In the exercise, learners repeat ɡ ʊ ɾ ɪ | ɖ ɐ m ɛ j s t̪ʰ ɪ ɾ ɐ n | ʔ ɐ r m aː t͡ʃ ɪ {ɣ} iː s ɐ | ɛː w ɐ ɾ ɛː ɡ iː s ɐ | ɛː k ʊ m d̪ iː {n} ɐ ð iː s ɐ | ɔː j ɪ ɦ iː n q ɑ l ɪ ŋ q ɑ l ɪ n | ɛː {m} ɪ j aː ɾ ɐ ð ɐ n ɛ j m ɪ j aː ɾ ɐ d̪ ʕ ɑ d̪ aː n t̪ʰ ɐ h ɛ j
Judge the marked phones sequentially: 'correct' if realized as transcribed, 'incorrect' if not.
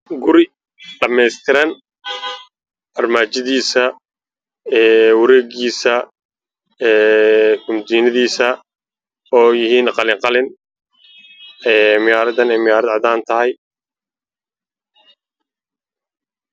incorrect: ð, correct, correct

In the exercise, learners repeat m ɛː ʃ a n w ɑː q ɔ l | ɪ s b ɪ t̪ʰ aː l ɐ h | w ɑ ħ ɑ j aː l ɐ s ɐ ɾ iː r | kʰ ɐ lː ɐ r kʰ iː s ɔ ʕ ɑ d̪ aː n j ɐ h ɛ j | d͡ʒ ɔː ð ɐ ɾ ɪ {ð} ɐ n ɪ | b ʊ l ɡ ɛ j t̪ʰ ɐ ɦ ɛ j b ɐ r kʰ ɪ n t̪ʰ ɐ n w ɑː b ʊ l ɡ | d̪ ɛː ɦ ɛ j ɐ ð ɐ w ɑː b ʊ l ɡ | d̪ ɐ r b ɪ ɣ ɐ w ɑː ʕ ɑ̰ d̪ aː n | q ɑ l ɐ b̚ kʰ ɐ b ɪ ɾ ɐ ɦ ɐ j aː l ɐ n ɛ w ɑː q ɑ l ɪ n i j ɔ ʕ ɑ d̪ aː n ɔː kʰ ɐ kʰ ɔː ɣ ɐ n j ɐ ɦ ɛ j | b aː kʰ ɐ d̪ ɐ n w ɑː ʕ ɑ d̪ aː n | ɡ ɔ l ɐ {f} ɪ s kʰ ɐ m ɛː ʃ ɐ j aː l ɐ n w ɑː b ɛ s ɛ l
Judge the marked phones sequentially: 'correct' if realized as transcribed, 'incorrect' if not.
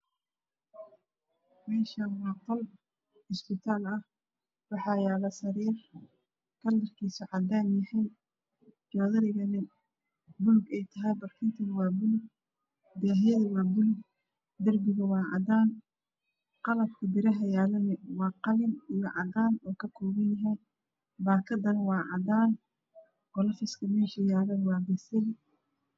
incorrect: ɣ, correct

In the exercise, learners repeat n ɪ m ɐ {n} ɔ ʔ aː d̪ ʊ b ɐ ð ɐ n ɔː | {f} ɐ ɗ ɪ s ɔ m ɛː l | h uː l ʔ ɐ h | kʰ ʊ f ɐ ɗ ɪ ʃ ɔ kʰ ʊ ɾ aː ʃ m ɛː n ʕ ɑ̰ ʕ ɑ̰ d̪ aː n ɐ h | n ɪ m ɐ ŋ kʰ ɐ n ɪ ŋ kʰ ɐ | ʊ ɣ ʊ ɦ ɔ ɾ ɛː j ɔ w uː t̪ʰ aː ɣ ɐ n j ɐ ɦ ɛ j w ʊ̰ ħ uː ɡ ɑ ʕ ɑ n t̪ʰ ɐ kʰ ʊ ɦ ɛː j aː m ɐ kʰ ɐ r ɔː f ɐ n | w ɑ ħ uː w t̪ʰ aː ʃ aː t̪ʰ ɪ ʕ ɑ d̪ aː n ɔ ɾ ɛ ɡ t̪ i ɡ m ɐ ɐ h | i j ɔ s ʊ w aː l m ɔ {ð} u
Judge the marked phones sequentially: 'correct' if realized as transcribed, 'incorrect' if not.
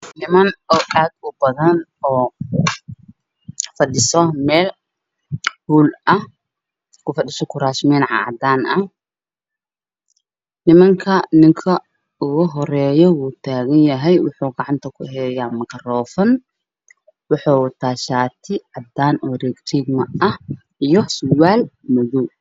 correct, correct, correct

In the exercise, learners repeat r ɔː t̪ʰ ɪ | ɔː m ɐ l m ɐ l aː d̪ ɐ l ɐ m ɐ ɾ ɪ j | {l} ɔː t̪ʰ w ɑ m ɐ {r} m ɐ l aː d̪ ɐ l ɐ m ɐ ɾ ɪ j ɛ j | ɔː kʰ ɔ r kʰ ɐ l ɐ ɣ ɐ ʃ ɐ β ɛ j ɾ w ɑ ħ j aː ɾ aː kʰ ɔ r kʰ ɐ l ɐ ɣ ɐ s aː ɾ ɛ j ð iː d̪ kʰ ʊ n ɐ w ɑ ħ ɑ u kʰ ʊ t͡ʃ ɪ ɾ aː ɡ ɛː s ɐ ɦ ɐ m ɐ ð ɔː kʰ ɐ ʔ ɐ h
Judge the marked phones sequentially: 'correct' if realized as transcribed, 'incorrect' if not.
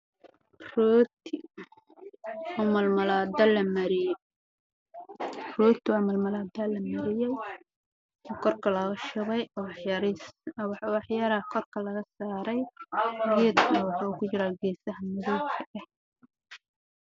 incorrect: r, incorrect: l

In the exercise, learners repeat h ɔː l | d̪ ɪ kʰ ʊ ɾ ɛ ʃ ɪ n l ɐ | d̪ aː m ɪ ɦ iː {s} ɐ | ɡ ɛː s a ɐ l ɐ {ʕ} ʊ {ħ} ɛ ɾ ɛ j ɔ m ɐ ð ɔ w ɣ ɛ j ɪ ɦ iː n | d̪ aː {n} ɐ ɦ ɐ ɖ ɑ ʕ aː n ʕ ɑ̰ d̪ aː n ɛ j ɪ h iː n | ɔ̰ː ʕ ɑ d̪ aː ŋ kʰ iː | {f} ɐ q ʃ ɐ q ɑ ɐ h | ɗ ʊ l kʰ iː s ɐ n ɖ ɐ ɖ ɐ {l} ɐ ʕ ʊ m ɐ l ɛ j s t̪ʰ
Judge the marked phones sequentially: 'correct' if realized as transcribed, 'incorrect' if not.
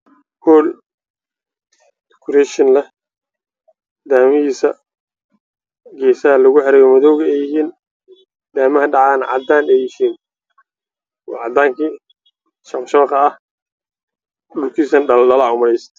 correct, incorrect: ɣ, correct, incorrect: m, incorrect: ʃ, correct

